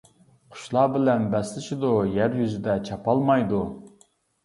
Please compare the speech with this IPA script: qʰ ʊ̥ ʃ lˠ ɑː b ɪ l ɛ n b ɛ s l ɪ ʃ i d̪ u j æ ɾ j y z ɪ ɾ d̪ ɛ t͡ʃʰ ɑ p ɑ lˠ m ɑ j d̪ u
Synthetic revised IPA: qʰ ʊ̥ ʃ lˠ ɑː b ɪ l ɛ n b ɛ s l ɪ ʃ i d̪ u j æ ɾ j y z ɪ d̪ ɛ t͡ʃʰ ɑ p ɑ lˠ m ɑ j d̪ u